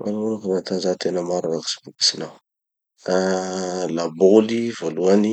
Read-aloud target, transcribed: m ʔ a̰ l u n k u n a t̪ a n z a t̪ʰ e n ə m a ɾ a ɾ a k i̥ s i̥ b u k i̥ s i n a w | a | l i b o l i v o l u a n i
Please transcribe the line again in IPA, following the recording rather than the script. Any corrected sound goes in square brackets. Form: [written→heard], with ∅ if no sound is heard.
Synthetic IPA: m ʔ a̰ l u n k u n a t̪ a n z a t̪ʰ e n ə m a ɾ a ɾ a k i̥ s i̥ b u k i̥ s i n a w | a | l [i→a] b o l i v o l u a n i